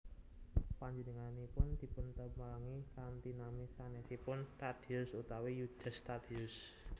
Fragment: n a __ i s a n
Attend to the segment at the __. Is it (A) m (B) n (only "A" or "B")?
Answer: A